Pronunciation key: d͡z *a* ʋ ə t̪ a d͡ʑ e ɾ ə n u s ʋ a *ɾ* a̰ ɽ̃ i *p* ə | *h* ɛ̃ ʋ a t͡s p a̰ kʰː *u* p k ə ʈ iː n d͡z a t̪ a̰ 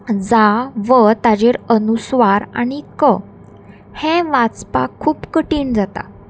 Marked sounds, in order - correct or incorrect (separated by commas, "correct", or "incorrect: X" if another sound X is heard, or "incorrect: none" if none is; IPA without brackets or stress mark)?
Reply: correct, correct, incorrect: k, correct, incorrect: uː